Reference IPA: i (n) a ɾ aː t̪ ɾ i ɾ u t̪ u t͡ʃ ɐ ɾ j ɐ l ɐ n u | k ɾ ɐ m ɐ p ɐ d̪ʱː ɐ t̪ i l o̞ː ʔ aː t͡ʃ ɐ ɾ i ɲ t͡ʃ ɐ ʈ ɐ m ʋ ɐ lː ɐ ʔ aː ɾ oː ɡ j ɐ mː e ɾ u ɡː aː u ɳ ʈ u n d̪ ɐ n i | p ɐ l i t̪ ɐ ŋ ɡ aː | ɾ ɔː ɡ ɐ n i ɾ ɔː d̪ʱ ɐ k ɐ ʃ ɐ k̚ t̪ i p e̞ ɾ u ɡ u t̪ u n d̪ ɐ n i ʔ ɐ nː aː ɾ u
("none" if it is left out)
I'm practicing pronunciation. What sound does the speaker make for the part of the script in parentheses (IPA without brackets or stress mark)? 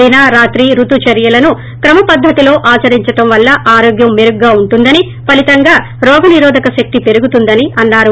n